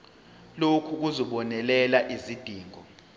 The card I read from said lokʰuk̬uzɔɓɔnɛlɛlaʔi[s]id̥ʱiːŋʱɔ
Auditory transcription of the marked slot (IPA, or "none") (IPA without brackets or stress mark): z